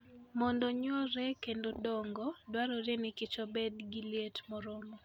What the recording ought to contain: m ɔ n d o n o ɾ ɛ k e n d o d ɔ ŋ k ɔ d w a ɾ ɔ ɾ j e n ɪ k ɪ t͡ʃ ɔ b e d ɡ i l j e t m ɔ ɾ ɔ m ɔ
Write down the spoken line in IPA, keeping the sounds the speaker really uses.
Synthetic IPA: m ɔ n d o ɲ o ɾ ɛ k e n d o d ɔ ŋ ɡ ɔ d w a ɾ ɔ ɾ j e n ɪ k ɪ t͡ʃ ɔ b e d ɡ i l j e t m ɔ ɾ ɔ m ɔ